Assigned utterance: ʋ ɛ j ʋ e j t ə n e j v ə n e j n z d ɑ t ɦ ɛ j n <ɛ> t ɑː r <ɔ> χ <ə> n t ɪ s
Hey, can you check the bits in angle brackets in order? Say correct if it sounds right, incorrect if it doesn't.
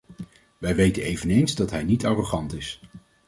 incorrect: i, incorrect: o, incorrect: ɑ

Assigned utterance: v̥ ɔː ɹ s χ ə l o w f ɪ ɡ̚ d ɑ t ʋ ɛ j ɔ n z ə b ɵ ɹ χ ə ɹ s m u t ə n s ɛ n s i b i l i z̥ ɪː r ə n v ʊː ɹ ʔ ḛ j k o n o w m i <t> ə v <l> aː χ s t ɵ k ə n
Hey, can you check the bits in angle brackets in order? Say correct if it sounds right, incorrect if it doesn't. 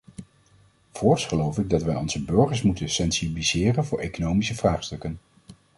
incorrect: s, incorrect: r

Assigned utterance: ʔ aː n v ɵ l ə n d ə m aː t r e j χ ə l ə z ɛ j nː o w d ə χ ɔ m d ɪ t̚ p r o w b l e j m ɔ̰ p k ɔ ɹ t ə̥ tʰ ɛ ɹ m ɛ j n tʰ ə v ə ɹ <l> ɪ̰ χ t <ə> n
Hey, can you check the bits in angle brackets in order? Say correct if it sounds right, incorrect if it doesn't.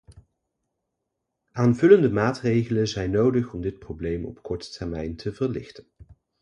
correct, correct

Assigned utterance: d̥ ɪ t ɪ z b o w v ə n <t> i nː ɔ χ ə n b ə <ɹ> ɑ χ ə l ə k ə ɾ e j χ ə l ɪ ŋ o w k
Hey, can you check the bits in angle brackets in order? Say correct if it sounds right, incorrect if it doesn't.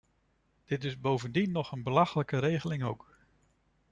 incorrect: d, incorrect: l

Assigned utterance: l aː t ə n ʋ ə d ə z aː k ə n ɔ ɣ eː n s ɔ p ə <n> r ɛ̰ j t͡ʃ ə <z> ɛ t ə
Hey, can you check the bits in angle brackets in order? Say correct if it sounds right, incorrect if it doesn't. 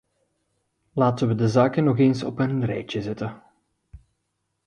correct, correct

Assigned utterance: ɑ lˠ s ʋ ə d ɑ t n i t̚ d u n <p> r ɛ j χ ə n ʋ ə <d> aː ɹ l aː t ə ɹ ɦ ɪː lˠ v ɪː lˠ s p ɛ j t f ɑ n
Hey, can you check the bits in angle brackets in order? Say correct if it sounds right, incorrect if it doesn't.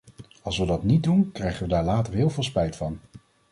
incorrect: k, correct

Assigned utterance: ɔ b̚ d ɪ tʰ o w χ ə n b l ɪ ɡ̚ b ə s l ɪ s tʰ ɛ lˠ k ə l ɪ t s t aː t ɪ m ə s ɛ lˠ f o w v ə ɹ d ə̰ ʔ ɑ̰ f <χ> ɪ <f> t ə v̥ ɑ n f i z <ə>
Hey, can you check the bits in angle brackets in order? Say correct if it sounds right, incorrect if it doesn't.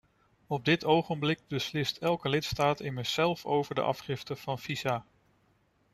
correct, correct, incorrect: a

